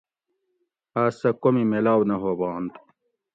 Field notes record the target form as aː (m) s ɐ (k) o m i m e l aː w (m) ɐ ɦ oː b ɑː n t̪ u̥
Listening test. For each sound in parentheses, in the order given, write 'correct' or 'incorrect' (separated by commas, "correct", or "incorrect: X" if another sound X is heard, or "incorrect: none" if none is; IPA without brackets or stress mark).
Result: incorrect: none, correct, incorrect: n